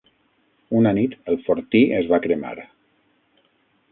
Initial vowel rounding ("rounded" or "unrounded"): rounded